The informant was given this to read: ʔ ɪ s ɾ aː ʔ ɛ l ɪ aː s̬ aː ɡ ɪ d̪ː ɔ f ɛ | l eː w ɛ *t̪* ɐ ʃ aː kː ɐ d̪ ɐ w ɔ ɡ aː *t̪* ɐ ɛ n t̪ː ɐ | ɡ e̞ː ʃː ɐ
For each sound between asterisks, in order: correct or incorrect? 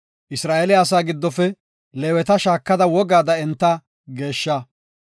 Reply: correct, incorrect

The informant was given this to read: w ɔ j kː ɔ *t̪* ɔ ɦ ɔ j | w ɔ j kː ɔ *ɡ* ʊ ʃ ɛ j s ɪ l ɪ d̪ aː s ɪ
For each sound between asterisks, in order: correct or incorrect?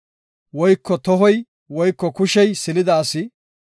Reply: correct, incorrect

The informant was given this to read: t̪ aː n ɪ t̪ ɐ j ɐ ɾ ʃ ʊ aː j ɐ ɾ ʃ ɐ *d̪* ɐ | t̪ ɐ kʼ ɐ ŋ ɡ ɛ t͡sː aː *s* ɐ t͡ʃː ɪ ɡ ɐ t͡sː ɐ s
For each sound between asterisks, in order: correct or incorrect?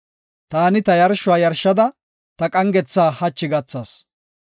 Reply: correct, incorrect

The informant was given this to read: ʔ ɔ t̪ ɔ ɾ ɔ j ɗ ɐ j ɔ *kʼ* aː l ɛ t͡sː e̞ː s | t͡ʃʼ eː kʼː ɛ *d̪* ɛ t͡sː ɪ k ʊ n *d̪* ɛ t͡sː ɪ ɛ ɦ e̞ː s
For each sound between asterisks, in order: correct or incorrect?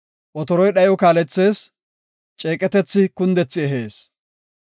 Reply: incorrect, incorrect, correct

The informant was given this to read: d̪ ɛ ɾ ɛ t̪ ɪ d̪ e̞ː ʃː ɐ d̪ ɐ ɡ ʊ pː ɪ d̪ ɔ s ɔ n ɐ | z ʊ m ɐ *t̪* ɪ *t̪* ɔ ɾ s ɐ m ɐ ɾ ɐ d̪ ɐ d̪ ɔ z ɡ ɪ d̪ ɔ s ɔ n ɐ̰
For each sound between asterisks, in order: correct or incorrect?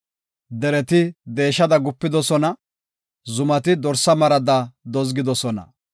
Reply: correct, incorrect

